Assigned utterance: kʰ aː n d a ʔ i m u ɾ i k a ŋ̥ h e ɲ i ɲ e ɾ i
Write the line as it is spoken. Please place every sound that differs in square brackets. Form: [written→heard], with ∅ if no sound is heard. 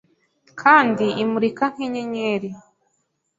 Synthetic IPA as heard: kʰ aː n d [a→i] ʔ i m u ɾ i k a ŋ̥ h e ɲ [i→e] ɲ e ɾ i